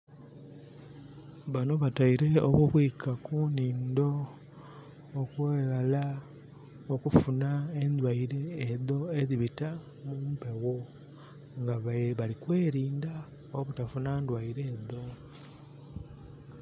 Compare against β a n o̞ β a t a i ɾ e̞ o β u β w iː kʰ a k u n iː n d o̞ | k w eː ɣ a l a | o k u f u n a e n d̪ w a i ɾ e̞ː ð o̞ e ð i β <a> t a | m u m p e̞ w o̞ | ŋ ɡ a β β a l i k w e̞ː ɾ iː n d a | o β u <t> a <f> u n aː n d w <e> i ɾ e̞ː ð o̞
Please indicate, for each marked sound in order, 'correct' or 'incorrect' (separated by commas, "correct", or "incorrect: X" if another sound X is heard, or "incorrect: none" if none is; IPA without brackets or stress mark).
incorrect: i, correct, correct, incorrect: a